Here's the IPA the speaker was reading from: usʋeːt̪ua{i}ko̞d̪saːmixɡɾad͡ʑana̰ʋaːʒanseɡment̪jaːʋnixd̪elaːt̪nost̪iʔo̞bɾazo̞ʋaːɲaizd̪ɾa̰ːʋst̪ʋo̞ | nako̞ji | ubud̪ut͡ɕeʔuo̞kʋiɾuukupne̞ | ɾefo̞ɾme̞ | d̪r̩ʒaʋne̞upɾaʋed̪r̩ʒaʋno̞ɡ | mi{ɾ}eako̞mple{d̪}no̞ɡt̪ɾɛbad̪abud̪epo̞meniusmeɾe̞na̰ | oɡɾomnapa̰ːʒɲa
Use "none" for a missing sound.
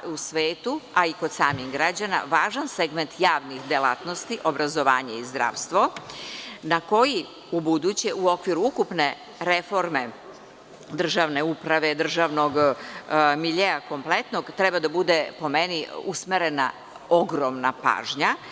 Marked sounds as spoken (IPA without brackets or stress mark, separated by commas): i, ʎ, t̪